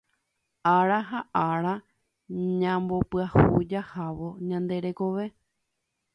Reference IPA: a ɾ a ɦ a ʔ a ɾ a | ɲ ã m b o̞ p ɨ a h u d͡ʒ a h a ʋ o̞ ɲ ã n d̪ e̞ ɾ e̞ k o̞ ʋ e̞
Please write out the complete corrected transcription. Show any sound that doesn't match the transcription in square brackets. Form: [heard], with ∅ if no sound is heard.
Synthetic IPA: a ɾ a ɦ a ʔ a ɾ a | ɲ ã m b o̞ p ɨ a h u d͡ʒ a h a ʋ o̞ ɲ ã n d̪ e̞ ɾ e̞ k o̞ ʋ e̞

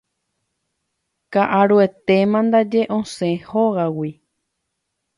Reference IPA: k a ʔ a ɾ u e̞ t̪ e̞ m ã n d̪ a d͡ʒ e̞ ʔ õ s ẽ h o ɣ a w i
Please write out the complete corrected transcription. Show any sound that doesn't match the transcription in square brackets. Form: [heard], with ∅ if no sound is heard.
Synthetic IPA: k a ʔ a ɾ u e̞ t̪ e̞ m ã n d̪ a d͡ʒ e̞ ʔ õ s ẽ h o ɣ a w i

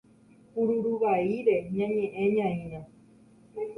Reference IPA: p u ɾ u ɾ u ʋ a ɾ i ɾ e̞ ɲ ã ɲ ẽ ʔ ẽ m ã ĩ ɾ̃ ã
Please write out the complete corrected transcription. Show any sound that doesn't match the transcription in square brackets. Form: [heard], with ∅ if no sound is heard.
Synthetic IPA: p u ɾ u ɾ u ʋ a [∅] i ɾ e̞ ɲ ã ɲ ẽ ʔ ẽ [ɲ] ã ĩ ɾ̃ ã

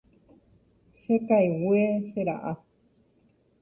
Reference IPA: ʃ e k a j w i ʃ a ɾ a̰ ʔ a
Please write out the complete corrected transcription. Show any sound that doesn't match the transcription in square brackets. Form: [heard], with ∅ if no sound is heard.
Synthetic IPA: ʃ e k a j w [e] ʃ [e] ɾ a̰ ʔ a

